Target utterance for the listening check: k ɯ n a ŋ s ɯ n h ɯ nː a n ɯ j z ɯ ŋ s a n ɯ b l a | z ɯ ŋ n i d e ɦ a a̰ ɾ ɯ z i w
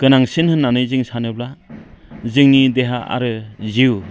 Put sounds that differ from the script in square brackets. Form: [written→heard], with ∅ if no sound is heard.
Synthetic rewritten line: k ɯ n a ŋ s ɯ n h ɯ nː a n ɯ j z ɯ ŋ s a n ɯ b l a | z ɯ ŋ n i d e ɦ a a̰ ɾ ɯ z i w